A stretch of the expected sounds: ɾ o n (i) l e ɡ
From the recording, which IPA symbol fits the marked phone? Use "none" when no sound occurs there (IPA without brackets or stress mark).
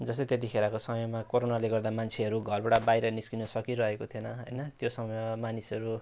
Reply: a